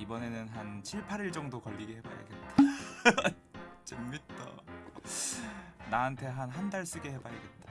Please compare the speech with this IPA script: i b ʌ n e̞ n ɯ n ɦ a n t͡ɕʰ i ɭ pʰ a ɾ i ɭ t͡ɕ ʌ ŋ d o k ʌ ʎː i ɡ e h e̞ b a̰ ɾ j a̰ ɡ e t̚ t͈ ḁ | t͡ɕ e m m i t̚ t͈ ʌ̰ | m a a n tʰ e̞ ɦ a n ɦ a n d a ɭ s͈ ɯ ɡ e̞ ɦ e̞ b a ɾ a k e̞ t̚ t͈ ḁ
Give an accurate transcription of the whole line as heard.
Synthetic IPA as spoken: i b ʌ n e̞ n ɯ n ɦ a n t͡ɕʰ i ɭ pʰ a ɾ i ɭ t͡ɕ ʌ ŋ d o k ʌ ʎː i ɡ e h e̞ b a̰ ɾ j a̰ ɡ e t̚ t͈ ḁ | t͡ɕ e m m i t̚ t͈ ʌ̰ | n a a n tʰ e̞ ɦ a n ɦ a n d a ɭ s͈ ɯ ɡ e̞ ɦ e̞ b a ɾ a ɡ e̞ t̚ t͈ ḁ